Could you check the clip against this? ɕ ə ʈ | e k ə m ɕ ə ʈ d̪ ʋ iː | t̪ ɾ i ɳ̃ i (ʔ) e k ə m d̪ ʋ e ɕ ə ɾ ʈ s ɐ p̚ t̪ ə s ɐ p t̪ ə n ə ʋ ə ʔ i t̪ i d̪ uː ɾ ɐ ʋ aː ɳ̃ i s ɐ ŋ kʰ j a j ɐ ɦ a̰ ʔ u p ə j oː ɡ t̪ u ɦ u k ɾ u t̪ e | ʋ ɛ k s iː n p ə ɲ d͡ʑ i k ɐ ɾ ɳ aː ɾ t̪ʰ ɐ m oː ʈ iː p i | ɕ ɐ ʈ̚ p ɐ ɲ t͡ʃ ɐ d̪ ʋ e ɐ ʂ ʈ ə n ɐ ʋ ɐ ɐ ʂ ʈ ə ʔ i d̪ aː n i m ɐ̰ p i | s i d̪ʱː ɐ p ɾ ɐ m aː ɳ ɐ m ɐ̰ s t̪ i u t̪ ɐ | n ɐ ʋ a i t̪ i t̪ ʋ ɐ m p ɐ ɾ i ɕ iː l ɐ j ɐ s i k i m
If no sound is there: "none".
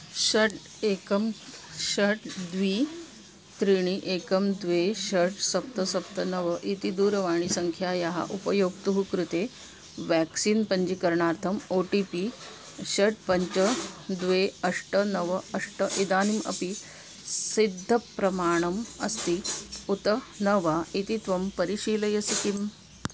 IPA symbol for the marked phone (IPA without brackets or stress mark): ʔ